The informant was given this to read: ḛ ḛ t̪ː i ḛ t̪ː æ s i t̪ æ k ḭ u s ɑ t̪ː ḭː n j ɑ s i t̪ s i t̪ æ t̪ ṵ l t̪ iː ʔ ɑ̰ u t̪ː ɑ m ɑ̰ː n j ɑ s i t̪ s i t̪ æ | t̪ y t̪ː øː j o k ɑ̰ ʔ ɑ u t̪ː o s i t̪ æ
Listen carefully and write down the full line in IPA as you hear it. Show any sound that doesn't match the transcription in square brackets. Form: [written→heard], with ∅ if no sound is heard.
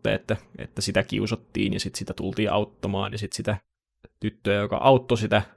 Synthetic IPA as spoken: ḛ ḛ t̪ː [i→æ] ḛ t̪ː æ s i t̪ æ k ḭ u s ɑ t̪ː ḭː n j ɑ s i t̪ s i t̪ æ t̪ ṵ l t̪ iː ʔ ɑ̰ u t̪ː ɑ m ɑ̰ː n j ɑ s i t̪ s i t̪ æ | t̪ y t̪ː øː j o k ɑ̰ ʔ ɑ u t̪ː o s i t̪ æ